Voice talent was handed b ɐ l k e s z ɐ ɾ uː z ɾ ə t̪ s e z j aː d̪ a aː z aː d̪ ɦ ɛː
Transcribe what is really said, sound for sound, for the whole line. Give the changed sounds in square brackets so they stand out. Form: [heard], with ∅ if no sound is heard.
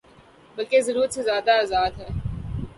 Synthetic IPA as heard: b ɐ l k e [∅] z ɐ ɾ uː [∅] ɾ ə t̪ s e z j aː d̪ a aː z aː d̪ ɦ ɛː

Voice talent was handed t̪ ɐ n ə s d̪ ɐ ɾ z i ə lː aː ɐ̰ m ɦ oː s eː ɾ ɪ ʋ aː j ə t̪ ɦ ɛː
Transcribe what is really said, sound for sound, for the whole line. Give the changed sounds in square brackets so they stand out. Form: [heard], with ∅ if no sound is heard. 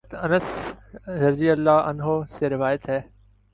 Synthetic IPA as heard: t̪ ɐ n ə s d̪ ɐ ɾ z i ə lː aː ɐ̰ [n] ɦ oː s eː ɾ ɪ ʋ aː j ə t̪ ɦ ɛː

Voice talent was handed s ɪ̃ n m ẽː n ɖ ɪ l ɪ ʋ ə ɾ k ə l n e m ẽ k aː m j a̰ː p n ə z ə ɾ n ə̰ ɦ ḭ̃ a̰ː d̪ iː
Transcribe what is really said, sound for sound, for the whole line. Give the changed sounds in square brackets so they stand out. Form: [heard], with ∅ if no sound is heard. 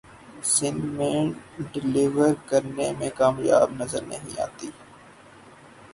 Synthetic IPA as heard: s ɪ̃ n m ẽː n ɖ ɪ l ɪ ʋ ə ɾ k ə [ɾ] n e m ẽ k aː m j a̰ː [b] n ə z ə ɾ n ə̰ ɦ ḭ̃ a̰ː [t̪] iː

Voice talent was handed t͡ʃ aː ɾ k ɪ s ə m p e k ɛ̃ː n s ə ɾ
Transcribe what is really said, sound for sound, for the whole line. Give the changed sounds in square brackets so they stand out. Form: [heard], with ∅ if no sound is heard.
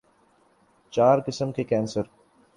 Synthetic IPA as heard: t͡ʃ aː ɾ k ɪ s ə m [k] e k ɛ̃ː n s ə ɾ

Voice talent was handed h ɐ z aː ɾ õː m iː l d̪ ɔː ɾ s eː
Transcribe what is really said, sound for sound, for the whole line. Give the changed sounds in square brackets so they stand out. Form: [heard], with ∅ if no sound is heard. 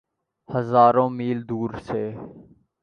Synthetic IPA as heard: h [ə] z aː ɾ õː m iː l d̪ [uː] ɾ s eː

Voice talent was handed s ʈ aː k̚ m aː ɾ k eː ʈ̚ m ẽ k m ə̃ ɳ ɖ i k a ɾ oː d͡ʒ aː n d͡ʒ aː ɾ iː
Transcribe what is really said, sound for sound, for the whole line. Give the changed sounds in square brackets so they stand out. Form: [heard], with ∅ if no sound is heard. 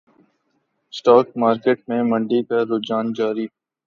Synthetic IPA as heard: s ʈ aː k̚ m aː ɾ k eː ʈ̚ m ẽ [∅] m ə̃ ɳ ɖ i k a ɾ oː d͡ʒ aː n d͡ʒ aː ɾ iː

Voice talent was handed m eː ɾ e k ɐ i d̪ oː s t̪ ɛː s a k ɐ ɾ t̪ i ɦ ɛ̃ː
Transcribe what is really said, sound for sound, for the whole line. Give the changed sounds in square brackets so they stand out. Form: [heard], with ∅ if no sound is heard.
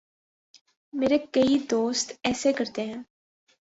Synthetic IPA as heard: m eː ɾ e k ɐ i d̪ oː s t̪ ɛː s [e] k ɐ ɾ t̪ [e] ɦ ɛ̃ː

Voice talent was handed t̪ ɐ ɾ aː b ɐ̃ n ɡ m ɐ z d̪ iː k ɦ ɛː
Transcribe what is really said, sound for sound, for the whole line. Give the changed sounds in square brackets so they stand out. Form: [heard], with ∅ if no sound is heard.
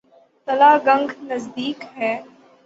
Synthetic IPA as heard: t̪ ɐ [l] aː [ɡ] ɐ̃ [ŋ] ɡ [n] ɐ z d̪ iː k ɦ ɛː

